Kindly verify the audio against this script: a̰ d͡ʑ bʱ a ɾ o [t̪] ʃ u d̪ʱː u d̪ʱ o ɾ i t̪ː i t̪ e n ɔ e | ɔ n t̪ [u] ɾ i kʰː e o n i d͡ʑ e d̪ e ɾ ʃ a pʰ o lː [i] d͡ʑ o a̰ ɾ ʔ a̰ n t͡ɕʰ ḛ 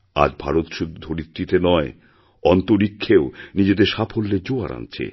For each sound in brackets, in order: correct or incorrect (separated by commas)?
correct, incorrect, incorrect